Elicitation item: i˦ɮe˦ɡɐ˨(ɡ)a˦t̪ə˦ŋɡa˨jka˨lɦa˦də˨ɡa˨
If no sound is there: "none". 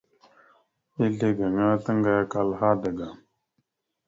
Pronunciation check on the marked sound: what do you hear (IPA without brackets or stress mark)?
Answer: ŋ